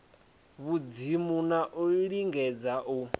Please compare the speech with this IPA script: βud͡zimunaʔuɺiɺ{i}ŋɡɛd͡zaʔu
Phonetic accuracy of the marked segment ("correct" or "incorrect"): correct